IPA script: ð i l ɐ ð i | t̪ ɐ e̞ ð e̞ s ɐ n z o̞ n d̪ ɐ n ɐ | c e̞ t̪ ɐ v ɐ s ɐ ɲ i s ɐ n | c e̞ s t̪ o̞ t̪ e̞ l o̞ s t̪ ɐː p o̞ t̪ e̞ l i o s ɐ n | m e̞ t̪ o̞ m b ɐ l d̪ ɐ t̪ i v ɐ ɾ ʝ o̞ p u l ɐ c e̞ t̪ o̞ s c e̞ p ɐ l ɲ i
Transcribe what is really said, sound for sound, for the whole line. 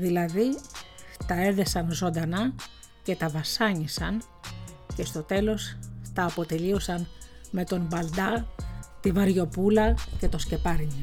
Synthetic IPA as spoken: ð i l ɐ ð i | t̪ ɐ e̞ ð e̞ s ɐ n z o̞ n d̪ ɐ n ɐ | c e̞ t̪ ɐ v ɐ s ɐ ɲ i s ɐ n | c e̞ s t̪ o̞ t̪ e̞ l o̞ s t̪ ɐː p o̞ t̪ e̞ l i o s ɐ n | m e̞ t̪ o̞ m b ɐ l d̪ ɐ t̪ i v ɐ ɾ ʝ o̞ p u l ɐ c e̞ t̪ o̞ s c e̞ p ɐ ɾ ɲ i